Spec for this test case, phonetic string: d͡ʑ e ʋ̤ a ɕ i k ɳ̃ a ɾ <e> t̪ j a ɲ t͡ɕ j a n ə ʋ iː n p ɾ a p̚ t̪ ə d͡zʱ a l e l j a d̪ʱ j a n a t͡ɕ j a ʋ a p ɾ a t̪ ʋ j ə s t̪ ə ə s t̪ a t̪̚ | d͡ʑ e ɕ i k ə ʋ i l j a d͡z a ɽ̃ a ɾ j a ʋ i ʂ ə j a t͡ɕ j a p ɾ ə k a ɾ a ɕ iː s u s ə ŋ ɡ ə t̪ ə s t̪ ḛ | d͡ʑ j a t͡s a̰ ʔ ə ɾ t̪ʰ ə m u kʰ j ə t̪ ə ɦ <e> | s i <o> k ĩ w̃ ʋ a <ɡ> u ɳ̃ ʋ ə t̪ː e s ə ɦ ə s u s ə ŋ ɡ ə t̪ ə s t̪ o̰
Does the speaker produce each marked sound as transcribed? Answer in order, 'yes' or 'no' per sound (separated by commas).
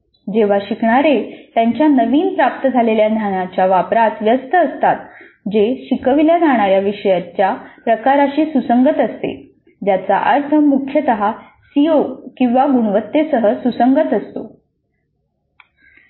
yes, no, yes, yes